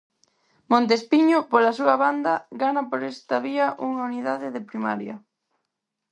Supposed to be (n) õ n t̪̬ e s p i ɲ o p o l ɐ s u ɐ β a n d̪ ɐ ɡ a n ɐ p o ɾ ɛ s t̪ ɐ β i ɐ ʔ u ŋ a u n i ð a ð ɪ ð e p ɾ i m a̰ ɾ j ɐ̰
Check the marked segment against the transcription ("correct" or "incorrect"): incorrect